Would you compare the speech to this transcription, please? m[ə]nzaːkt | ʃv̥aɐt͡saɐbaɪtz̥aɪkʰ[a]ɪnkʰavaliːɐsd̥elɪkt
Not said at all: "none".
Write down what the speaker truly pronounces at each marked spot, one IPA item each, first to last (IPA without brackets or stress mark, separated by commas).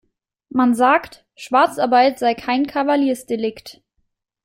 a, a